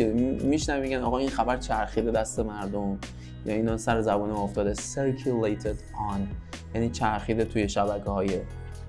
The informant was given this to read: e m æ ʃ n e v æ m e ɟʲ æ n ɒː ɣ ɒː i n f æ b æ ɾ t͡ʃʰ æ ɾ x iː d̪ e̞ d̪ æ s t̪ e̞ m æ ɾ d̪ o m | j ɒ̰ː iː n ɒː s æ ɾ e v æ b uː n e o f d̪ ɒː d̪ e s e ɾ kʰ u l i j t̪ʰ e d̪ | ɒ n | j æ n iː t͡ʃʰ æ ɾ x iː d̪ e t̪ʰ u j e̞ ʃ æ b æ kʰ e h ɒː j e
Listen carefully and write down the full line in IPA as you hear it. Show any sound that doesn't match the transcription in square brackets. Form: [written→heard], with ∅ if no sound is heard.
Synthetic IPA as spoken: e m [æ→i] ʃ n [e→æ] v [æ→i] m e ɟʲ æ n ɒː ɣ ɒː i n [f→x] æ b æ ɾ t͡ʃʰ æ ɾ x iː d̪ e̞ d̪ æ s t̪ e̞ m æ ɾ d̪ o m | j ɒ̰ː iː n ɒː s æ ɾ e [v→z] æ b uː n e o f [d̪→t̪] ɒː d̪ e s e ɾ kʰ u l [i→e] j t̪ʰ e d̪ | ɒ n | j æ n iː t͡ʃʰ æ ɾ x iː d̪ e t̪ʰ u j e̞ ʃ æ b æ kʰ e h ɒː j e